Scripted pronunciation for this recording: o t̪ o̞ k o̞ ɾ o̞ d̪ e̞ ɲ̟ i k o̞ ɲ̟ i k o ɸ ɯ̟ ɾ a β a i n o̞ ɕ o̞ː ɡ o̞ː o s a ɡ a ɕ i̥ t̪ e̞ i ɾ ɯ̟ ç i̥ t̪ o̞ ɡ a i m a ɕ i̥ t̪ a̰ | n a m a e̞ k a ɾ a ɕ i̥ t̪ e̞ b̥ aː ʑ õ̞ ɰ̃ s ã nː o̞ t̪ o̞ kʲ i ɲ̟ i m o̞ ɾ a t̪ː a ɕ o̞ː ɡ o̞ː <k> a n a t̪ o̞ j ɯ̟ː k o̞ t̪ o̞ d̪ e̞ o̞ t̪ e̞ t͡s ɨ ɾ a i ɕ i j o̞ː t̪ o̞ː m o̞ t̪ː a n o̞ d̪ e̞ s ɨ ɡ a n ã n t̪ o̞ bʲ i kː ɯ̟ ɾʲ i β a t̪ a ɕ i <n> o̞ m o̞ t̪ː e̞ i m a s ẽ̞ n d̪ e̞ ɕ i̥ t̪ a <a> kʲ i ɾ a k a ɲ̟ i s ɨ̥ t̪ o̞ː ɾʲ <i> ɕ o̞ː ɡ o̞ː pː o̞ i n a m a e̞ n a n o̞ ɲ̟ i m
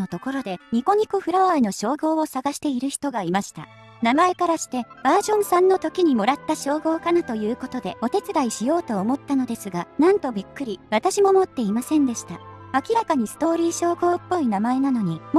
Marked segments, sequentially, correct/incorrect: correct, incorrect: m, correct, incorrect: iː

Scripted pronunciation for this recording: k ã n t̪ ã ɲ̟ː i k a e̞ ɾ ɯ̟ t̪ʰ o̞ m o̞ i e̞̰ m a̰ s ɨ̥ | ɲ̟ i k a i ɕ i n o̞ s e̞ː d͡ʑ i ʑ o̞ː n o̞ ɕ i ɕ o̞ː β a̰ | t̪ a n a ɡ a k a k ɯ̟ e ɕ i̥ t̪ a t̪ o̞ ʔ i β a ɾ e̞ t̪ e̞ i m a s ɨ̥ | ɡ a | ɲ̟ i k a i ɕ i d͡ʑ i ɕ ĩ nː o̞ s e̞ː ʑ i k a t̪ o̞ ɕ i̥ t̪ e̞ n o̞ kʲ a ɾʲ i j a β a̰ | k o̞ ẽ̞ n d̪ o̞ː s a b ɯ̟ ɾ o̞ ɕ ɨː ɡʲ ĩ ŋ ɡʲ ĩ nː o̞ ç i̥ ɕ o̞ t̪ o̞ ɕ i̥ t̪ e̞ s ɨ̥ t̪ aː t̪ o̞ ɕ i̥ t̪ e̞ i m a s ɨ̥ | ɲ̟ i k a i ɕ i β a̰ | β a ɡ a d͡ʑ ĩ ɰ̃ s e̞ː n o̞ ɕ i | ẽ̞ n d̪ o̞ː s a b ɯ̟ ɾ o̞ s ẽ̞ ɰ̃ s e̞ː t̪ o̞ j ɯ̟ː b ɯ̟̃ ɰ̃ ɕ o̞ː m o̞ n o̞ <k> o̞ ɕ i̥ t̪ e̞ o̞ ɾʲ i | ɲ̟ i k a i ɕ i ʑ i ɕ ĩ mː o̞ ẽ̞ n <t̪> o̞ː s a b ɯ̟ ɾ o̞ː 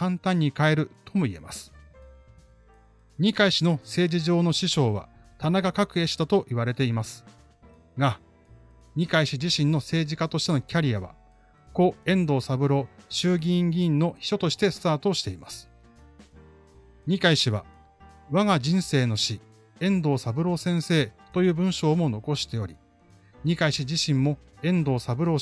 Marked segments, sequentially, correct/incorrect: correct, incorrect: d̪

